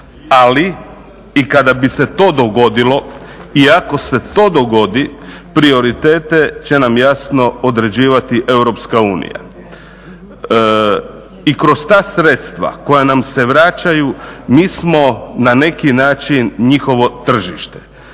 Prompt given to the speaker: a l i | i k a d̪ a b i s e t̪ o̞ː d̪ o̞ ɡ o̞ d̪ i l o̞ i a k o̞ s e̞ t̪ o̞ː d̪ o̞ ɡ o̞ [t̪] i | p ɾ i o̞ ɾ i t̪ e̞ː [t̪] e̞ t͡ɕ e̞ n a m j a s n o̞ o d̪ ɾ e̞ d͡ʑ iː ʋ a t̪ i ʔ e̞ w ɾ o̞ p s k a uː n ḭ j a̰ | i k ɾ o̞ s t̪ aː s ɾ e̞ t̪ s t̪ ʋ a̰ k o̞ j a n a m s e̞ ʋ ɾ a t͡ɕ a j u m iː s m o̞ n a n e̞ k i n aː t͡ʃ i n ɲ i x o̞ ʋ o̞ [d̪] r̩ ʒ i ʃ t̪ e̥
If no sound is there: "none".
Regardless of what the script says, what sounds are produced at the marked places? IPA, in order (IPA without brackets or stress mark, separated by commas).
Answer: d̪, t̪, t̪